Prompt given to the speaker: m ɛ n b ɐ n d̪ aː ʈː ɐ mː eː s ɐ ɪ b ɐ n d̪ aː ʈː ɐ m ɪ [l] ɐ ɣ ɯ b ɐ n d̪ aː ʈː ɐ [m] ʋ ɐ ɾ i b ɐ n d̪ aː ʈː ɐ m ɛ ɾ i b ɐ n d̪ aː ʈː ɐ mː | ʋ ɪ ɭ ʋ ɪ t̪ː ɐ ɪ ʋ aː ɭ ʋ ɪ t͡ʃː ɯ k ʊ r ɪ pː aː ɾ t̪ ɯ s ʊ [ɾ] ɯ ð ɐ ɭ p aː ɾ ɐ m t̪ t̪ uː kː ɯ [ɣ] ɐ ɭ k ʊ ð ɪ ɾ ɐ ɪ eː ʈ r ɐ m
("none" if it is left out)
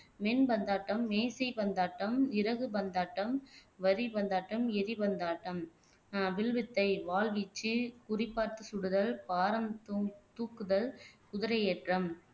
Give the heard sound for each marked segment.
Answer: ɾ, m, ɽ, ð

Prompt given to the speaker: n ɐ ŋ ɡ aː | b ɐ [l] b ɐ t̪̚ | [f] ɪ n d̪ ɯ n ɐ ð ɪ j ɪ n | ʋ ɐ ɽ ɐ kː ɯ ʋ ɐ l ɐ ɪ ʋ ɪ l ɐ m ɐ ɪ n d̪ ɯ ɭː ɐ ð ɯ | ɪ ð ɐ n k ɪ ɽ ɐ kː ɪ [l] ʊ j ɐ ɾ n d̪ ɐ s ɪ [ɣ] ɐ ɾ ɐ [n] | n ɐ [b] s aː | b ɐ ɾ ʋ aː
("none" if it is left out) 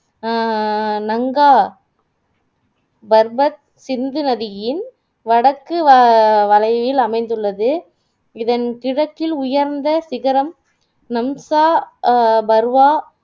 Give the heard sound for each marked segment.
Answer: ɾ, s, l, ɣ, m, m

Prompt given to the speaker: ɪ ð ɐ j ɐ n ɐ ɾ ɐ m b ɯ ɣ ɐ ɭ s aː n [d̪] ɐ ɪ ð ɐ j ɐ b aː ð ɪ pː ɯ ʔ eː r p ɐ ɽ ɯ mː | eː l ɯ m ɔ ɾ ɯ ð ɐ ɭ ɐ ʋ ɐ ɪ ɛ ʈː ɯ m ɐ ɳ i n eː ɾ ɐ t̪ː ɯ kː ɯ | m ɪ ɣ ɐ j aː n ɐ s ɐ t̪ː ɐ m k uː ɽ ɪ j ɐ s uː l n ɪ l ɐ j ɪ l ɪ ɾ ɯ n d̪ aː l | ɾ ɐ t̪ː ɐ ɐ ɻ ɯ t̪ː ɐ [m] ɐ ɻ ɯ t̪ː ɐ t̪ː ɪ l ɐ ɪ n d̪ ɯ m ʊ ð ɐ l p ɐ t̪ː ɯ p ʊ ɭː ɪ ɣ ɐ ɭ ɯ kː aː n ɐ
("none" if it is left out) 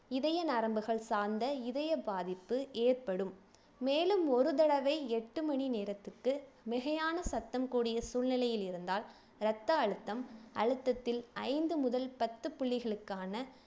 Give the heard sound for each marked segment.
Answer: d̪, m

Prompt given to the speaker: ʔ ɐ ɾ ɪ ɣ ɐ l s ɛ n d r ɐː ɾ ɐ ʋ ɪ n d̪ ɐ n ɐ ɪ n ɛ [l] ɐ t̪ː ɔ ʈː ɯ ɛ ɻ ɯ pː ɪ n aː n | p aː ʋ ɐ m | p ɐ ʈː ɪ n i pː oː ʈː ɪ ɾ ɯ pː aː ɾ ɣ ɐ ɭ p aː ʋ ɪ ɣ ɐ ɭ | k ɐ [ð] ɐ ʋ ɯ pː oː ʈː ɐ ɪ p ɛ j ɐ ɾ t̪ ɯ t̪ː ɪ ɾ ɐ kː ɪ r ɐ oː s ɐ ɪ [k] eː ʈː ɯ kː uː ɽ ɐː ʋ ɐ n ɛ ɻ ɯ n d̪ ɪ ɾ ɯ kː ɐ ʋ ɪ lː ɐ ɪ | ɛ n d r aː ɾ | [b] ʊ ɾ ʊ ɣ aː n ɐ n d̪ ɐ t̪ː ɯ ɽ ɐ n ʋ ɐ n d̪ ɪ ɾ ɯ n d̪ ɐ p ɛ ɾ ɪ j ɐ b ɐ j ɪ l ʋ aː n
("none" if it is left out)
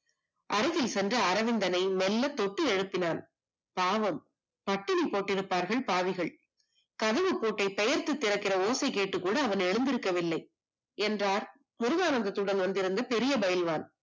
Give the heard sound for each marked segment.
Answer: lː, ð, k, m

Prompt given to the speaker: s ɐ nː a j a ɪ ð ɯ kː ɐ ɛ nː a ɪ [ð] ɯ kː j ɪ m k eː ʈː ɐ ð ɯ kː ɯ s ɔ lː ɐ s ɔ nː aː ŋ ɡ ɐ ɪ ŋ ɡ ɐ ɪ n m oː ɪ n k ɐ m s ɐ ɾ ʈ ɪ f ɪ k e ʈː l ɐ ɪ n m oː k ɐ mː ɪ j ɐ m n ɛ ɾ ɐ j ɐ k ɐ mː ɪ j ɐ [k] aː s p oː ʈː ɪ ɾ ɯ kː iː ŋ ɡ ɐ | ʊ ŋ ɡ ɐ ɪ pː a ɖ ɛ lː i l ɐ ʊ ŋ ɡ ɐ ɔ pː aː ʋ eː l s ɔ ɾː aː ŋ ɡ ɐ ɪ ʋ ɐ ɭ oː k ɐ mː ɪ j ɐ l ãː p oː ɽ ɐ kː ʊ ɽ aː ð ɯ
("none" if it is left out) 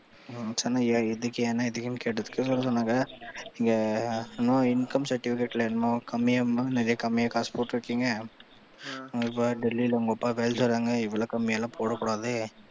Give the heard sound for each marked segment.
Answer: ð, k

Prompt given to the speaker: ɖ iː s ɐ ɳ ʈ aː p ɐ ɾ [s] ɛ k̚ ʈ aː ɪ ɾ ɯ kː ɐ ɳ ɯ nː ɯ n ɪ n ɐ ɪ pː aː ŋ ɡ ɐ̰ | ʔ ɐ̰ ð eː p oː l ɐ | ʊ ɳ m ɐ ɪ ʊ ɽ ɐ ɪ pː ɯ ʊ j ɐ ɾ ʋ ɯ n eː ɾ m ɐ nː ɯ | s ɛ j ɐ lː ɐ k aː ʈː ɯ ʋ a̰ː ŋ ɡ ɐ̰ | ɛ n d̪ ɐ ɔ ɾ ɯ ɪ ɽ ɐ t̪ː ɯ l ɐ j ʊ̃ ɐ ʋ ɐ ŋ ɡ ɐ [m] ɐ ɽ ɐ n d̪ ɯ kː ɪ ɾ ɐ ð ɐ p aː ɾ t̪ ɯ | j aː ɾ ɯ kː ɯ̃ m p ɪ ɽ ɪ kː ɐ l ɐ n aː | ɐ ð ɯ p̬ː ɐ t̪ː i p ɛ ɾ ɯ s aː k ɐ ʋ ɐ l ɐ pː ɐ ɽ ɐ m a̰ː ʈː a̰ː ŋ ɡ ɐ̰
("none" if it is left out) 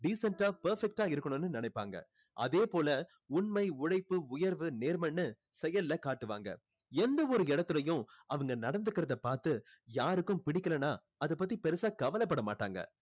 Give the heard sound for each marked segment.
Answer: f, n

